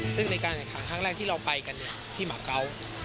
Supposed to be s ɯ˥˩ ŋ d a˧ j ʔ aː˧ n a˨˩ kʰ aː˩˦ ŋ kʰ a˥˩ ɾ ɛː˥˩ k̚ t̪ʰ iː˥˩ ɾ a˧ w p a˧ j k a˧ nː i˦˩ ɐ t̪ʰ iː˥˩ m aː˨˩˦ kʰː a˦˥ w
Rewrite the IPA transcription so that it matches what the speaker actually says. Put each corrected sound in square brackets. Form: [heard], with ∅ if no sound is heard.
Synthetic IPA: s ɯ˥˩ ŋ [n] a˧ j [k] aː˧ n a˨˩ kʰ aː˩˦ ŋ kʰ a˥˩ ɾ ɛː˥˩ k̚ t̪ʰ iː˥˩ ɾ a˧ w p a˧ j k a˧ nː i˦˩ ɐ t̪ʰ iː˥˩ m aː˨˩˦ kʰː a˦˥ w